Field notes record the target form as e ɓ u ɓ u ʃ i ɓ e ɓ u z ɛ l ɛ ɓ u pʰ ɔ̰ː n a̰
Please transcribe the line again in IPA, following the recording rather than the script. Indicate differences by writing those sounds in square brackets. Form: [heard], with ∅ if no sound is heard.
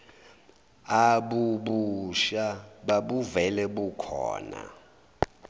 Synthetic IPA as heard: [a] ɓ u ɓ u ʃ [a] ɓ [a] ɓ u [v] ɛ l ɛ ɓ u [kʰ] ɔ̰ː n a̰